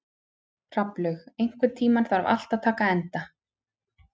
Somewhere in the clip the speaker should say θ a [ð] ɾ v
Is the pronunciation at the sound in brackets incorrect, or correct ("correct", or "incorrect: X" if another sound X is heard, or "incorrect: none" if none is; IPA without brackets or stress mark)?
incorrect: none